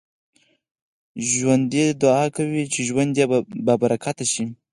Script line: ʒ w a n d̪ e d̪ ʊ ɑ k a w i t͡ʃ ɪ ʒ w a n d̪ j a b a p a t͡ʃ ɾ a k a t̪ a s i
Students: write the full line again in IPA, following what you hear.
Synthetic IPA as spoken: ʒ w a n d̪ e d̪ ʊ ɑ k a w i t͡ʃ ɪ ʒ w a n d̪ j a b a b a ɾ a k a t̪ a ʃ i

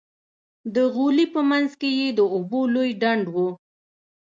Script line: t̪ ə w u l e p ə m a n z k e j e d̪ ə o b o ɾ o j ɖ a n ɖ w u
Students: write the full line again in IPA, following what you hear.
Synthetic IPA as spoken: d̪ ə ɣ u l i p ə m a n z k e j e d̪ ə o b o l o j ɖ a ɳ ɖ w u

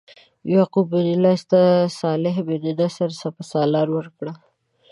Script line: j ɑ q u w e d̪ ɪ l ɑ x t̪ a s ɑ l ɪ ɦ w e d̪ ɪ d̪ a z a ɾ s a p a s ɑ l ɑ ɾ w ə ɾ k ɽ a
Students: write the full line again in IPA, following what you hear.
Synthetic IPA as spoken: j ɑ q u b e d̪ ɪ l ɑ s t̪ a s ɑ l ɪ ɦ b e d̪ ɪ d̪ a s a ɾ s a p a s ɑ l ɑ ɾ w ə ɾ k ɽ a

